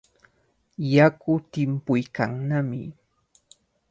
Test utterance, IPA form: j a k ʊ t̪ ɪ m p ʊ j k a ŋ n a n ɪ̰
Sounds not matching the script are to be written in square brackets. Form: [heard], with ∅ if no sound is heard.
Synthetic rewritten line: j a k ʊ t̪ ɪ m p ʊ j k a ŋ n a [m] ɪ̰